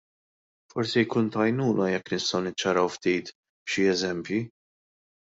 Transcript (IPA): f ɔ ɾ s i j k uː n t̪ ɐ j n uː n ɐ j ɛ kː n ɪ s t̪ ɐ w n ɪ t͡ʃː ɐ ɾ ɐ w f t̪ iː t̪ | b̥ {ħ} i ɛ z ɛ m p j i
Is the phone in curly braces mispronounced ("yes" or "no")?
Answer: yes